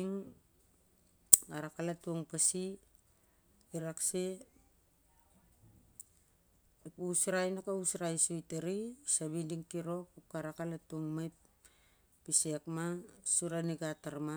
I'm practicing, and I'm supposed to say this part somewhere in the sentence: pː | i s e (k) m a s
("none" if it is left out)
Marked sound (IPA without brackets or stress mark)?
k